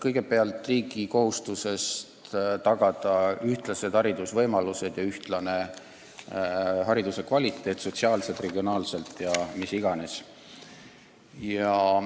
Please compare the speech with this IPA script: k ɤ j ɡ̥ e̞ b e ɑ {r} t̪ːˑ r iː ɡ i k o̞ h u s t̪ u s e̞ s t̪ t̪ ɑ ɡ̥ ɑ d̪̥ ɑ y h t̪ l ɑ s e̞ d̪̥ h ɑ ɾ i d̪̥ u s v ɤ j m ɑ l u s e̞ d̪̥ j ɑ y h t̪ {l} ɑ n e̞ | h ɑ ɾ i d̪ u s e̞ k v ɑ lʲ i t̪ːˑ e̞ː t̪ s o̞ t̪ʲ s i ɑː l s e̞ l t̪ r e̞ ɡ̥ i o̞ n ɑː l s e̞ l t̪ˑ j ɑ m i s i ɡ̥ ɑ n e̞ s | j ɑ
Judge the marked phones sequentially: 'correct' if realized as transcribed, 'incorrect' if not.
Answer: incorrect, correct

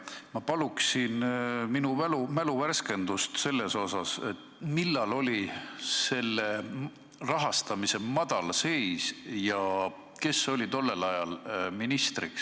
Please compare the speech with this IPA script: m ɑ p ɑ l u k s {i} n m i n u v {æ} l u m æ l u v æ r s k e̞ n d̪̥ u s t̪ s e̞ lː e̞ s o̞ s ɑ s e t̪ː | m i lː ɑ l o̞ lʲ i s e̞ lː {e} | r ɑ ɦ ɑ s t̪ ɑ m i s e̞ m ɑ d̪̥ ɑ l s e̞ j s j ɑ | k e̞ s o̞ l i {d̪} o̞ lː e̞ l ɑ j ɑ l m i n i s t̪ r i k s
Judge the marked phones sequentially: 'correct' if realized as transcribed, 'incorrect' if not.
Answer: correct, correct, correct, incorrect

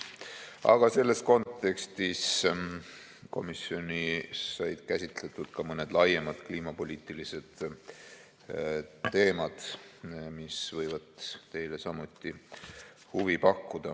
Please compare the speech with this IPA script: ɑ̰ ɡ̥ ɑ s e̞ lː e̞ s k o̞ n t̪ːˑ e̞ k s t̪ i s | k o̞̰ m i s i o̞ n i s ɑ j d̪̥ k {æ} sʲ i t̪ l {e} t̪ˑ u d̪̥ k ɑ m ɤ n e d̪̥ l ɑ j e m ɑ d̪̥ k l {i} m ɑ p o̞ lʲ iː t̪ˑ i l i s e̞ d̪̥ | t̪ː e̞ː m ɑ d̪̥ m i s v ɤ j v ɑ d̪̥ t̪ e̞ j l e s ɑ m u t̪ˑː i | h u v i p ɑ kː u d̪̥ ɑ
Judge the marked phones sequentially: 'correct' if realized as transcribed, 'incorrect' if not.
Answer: correct, correct, incorrect

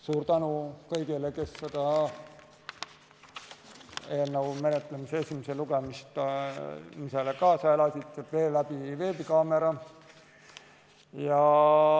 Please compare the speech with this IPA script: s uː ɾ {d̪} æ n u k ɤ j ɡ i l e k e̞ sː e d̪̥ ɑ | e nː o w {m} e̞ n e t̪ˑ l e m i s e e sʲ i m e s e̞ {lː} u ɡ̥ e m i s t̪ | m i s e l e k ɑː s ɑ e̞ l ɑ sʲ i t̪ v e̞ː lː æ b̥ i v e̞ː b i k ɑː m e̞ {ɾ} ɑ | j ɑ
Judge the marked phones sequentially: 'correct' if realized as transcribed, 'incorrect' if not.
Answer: incorrect, correct, incorrect, correct

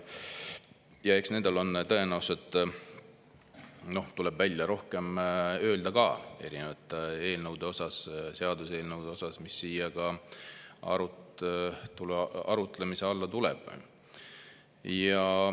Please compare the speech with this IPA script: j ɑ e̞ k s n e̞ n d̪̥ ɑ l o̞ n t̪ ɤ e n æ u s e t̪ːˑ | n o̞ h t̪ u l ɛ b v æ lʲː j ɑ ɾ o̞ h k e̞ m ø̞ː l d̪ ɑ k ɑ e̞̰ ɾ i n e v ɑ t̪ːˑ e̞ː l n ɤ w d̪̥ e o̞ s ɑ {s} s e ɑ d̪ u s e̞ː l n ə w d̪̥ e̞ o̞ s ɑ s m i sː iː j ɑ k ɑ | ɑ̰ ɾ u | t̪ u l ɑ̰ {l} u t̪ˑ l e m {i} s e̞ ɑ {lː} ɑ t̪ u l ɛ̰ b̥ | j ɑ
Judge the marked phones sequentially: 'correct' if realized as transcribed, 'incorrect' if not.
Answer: correct, incorrect, correct, correct

